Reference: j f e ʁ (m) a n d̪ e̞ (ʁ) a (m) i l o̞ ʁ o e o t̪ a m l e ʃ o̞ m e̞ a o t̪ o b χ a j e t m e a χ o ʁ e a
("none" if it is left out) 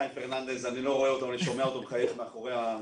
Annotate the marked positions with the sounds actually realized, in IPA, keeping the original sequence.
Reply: n, z, n

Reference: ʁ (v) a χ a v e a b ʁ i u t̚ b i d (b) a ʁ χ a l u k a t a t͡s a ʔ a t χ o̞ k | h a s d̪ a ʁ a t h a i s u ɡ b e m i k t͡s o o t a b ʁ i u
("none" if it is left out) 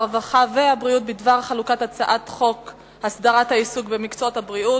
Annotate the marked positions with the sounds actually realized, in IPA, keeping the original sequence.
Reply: v, v

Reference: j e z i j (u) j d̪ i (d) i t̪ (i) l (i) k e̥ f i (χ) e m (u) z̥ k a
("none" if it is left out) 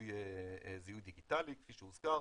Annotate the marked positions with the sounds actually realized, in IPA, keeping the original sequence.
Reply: u, ɡ, a, i, ʃ, u

